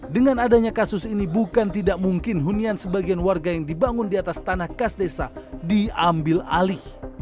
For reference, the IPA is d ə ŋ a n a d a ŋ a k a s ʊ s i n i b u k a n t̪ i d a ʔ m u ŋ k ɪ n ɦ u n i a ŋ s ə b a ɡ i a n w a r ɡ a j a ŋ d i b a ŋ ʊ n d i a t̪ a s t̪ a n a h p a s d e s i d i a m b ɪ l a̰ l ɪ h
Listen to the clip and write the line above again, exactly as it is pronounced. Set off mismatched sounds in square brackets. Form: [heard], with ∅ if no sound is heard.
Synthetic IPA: d ə ŋ a n a d a [ɲ] a k a s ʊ s i n i b u k a n t̪ i d a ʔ m u ŋ k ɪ n ɦ u n i a [n] s ə b a ɡ i a n w a r ɡ a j a ŋ d i b a ŋ ʊ n d i a t̪ a s t̪ a n a h [k] a s d e s [a] d i a m b ɪ l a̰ l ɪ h